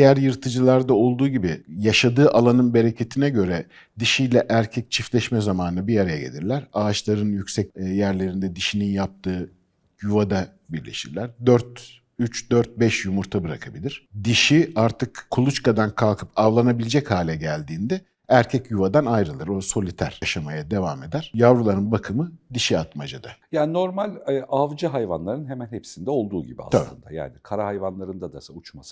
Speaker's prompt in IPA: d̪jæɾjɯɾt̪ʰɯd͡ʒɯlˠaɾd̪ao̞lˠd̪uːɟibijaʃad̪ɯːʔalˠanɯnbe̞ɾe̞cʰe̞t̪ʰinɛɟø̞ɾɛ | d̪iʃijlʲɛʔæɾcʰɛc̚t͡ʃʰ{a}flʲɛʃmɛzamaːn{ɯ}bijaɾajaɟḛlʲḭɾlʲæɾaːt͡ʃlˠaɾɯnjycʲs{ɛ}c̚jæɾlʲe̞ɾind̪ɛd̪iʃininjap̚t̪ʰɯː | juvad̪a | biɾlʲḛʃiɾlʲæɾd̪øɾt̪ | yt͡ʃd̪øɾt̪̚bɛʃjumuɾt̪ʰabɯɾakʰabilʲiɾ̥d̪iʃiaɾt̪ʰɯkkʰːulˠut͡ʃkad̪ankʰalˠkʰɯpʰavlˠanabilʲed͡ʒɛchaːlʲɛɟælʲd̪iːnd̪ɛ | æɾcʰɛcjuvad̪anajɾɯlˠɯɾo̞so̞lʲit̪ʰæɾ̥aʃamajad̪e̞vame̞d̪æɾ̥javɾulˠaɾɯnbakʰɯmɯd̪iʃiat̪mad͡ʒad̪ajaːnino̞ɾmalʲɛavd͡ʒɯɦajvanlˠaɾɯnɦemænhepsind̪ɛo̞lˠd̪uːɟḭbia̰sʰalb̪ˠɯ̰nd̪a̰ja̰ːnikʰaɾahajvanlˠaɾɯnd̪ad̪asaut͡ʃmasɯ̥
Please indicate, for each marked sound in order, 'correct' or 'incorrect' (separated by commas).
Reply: incorrect, correct, correct